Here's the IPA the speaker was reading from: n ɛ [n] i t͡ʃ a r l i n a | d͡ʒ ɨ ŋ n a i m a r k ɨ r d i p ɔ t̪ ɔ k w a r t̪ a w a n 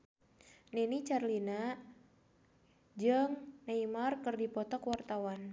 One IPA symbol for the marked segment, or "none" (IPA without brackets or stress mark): n